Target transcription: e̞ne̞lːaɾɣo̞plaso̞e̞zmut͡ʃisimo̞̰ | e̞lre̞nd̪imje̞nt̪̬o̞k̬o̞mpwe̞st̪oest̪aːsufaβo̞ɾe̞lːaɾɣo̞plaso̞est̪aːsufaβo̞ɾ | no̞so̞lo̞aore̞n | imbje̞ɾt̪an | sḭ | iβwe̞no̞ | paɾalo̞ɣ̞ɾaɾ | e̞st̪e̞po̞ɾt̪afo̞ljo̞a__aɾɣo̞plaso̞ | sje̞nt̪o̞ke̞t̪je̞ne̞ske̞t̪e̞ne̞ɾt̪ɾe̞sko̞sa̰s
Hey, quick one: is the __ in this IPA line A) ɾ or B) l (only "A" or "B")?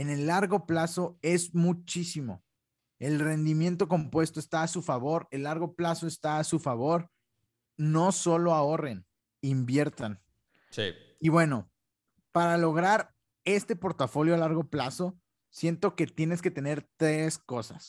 B